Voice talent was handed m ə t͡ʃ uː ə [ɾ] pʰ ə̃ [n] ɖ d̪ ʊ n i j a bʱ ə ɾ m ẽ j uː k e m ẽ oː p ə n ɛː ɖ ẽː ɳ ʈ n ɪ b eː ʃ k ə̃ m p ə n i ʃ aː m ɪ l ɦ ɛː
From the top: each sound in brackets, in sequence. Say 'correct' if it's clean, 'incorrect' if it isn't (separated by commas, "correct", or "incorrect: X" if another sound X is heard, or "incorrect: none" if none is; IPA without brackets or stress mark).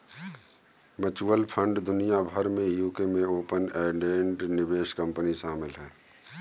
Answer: incorrect: l, incorrect: ɳ